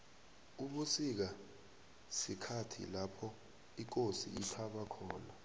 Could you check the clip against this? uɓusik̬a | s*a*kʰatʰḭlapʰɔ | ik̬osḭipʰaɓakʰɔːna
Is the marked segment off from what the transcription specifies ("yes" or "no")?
yes